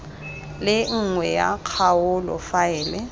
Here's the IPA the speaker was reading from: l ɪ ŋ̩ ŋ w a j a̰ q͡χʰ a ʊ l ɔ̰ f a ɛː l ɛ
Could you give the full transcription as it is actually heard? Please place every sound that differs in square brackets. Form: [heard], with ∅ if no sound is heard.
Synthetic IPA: l ɪ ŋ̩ ŋ w [ɛ] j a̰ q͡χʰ a ʊ l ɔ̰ f a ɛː l ɛ